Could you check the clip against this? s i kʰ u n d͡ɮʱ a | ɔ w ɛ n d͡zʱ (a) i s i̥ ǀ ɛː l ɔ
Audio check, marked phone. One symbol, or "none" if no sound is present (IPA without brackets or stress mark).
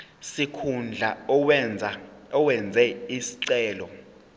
ɛ